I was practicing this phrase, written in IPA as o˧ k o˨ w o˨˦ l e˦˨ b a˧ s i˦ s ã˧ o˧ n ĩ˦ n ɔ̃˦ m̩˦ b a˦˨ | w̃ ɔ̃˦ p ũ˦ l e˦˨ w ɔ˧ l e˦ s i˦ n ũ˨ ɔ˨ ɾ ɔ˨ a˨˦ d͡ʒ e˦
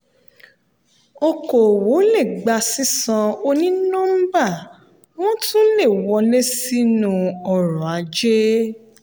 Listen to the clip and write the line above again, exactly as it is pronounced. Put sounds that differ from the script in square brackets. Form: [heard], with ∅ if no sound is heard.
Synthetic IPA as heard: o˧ k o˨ w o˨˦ l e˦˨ [ɡ͡b] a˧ s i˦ s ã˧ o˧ n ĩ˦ n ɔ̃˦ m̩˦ b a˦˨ | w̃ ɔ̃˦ [t] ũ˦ l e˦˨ w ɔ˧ l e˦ s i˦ n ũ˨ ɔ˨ ɾ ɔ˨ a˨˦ d͡ʒ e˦

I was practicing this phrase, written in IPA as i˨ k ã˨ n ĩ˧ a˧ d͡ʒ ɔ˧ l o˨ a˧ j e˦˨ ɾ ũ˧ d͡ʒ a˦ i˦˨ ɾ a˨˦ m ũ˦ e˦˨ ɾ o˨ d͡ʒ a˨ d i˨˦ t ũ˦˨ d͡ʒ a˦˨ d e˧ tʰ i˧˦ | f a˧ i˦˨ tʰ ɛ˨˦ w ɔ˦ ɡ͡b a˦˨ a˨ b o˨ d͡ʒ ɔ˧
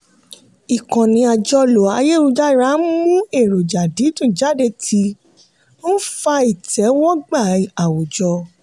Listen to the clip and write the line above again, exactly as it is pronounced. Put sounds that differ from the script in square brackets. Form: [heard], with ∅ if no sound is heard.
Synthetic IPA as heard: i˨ k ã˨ n ĩ˧ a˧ d͡ʒ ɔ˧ l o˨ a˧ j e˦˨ ɾ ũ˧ d͡ʒ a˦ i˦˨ ɾ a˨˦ m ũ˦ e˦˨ ɾ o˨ d͡ʒ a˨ d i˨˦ t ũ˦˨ d͡ʒ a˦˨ d e˧ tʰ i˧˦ | f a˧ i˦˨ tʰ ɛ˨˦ w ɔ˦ ɡ͡b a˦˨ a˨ [w] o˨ d͡ʒ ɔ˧

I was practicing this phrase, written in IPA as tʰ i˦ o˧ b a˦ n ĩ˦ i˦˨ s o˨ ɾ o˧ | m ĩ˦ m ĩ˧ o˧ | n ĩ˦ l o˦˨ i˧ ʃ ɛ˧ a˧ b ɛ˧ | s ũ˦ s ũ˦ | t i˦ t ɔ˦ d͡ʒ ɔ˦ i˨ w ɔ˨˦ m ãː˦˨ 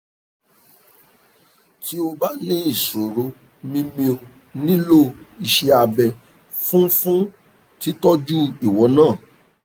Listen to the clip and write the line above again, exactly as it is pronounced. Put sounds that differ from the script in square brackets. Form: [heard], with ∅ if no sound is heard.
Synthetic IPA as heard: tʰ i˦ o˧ b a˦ n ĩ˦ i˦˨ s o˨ ɾ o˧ | m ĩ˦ m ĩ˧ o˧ | n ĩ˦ l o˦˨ i˧ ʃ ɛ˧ a˧ b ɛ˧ | [f] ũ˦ [f] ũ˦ | t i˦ t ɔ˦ d͡ʒ [u˦] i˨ w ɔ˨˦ [n] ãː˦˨

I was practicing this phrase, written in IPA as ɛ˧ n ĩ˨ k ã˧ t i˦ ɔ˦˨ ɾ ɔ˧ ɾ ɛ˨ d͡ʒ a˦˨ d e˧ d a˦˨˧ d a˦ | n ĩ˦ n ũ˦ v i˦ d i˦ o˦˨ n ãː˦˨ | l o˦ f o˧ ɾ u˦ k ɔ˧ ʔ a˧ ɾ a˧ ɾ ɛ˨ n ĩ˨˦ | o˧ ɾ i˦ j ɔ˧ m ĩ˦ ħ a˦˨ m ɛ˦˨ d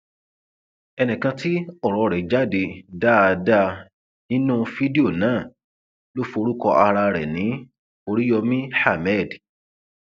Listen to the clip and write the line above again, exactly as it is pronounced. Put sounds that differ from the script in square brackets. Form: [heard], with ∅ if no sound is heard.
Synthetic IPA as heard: ɛ˧ n ĩ˨ k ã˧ t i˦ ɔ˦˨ ɾ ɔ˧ ɾ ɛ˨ d͡ʒ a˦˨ d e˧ d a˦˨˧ d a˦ | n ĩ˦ n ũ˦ [f] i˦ d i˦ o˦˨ n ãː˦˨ | l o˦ f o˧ ɾ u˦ k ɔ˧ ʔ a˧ ɾ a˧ ɾ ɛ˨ n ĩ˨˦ | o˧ ɾ i˦ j ɔ˧ m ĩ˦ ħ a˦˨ m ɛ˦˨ d

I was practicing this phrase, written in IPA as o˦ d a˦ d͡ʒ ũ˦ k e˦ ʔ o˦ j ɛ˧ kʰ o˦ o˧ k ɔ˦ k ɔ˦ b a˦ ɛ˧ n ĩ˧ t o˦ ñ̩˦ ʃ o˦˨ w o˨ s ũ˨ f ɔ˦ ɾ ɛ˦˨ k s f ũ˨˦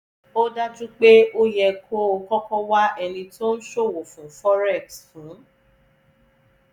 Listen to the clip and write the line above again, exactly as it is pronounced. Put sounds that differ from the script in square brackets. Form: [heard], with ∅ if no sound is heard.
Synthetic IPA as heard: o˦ d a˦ d͡ʒ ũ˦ [k͡p] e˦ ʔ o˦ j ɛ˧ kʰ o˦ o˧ k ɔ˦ k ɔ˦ [w] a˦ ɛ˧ n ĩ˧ t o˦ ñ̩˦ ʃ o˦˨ w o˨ [f] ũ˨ f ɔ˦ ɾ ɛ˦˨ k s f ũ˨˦

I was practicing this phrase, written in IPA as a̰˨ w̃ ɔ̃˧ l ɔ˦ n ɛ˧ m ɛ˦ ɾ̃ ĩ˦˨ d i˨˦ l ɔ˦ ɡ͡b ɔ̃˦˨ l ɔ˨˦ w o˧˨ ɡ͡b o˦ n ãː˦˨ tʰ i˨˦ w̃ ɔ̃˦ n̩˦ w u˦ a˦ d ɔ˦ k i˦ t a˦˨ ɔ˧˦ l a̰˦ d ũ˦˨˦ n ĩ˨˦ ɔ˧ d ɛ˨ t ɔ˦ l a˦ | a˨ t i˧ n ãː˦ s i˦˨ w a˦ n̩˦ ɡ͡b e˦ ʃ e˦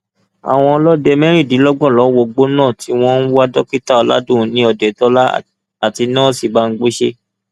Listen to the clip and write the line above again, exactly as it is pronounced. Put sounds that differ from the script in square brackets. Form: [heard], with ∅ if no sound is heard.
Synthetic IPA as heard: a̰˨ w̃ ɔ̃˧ l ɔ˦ [d] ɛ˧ m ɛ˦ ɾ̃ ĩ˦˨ d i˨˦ l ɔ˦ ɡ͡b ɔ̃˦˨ l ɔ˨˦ w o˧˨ ɡ͡b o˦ n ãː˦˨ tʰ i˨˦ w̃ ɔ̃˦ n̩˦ w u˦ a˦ d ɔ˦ k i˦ t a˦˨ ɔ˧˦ l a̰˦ d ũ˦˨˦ n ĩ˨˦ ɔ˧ d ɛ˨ t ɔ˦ l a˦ | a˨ t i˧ n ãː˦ s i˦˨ [b] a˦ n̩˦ ɡ͡b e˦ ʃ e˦

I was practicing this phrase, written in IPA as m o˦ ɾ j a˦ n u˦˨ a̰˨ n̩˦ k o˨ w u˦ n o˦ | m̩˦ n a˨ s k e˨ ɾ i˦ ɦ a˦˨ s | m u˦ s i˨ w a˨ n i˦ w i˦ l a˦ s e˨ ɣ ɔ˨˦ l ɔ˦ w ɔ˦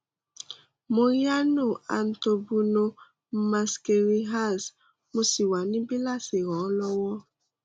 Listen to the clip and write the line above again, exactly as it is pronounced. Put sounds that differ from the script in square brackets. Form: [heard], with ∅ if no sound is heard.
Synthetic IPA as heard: m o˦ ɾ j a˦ n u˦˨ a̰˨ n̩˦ [t] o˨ [b] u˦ n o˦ | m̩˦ [m] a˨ s k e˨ ɾ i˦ ɦ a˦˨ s | m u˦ s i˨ w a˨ n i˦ [b] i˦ l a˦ s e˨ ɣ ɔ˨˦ l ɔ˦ w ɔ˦

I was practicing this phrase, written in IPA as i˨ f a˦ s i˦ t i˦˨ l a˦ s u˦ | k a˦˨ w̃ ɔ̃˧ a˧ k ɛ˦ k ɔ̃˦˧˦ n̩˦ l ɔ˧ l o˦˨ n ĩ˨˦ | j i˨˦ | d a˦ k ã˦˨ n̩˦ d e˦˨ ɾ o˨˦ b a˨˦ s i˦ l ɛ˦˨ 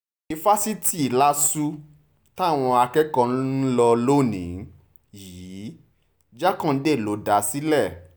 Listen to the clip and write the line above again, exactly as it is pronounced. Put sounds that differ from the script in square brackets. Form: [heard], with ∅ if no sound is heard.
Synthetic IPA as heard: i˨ f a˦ s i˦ t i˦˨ l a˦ s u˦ | [t] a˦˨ w̃ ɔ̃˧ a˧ k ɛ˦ k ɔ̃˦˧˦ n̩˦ l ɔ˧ l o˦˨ n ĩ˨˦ | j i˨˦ | [d͡ʒ] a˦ k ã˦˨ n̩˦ d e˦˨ [l] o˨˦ [d] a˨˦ s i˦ l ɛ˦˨

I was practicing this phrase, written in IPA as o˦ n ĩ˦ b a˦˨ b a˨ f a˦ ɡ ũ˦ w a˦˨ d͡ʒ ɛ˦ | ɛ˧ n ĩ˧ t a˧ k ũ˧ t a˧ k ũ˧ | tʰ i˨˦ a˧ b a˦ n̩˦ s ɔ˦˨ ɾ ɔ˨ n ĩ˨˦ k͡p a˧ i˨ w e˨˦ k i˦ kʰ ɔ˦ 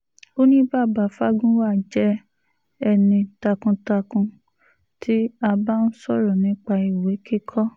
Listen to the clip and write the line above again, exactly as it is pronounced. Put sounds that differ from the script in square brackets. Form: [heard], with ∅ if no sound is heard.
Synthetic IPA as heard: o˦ n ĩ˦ b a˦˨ b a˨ f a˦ ɡ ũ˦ w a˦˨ d͡ʒ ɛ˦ | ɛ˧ n ĩ˧ t a˧ k ũ˧ t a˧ k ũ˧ | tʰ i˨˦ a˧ b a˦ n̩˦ s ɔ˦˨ ɾ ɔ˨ n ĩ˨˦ k͡p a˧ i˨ w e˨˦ k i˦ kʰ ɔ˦

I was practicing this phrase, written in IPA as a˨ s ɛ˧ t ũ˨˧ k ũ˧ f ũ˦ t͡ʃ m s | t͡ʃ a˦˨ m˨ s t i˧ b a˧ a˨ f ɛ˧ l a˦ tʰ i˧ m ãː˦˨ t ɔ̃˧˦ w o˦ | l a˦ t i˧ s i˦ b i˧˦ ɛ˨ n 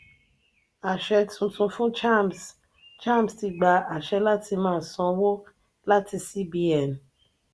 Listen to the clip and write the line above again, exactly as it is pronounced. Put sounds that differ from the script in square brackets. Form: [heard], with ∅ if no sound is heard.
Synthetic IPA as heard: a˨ [ʃ] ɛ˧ t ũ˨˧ [t] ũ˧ f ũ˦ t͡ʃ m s | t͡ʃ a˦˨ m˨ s t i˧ [ɡ͡b] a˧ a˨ [ʃ] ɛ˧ l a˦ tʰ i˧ m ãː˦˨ [s] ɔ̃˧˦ w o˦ | l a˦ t i˧ s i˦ b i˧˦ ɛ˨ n

